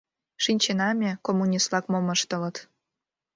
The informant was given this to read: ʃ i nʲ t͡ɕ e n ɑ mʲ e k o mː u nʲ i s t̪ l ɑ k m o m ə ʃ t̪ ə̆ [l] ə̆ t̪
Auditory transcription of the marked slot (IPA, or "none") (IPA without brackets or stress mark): l